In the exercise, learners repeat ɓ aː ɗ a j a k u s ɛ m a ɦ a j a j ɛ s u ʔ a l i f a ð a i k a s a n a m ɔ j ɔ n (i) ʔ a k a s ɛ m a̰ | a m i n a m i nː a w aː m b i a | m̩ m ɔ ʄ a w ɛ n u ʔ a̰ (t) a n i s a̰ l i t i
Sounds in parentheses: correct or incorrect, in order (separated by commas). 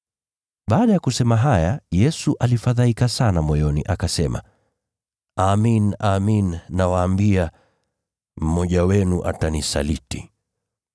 correct, correct